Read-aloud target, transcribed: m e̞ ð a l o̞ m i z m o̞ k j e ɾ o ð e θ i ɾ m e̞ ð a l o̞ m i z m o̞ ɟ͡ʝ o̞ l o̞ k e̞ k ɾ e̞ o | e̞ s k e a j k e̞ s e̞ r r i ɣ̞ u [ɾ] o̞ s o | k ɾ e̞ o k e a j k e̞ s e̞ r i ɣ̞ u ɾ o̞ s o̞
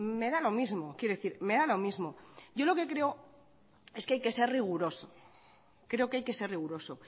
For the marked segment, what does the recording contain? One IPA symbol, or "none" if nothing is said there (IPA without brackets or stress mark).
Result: ɾ